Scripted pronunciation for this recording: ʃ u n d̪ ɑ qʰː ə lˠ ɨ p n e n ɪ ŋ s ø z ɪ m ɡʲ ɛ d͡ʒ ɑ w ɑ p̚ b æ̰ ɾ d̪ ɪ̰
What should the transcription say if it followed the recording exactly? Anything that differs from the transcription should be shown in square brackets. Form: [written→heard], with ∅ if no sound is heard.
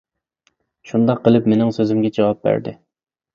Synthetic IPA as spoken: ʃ u n d̪ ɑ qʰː ə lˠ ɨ p [n→m] e n ɪ ŋ s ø z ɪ m ɡʲ ɛ d͡ʒ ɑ w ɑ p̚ b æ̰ ɾ d̪ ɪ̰